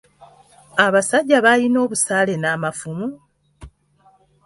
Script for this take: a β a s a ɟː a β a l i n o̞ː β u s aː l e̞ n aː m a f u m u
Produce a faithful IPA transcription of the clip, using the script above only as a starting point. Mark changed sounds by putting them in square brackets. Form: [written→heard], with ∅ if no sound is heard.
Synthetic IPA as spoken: a β a s a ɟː a β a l i n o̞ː β u s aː l e̞ n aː m a f u m u